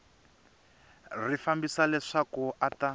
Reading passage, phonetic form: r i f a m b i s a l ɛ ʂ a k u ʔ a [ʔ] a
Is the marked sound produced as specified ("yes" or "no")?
no